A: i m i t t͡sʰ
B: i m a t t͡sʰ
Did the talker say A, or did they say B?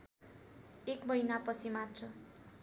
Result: B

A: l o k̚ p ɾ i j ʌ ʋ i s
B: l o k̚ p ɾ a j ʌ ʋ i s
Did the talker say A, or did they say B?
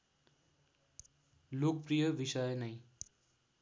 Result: A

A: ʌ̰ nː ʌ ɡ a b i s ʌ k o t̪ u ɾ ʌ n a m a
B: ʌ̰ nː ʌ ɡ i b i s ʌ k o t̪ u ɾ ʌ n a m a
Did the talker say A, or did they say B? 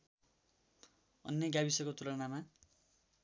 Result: A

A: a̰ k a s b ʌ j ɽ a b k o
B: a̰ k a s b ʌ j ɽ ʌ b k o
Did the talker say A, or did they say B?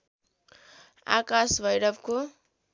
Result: B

